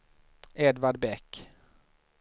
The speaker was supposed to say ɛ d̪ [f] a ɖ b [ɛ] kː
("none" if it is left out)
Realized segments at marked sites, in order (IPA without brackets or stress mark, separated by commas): v, ɛ